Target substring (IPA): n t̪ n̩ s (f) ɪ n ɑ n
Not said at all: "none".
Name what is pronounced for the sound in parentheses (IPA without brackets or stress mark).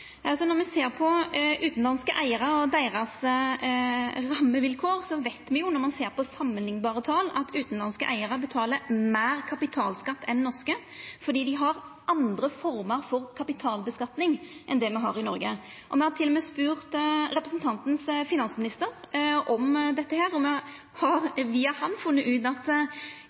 f